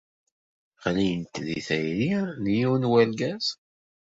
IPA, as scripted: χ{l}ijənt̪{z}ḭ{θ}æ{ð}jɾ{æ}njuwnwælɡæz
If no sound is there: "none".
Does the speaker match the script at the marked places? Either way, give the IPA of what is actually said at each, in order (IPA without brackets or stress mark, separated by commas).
l, ð, θ, none, i